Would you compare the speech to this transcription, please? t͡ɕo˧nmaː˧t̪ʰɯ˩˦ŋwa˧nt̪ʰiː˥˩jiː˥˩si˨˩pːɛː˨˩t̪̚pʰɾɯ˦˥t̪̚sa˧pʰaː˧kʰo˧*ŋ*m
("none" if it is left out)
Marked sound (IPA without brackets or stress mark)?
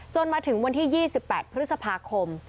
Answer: none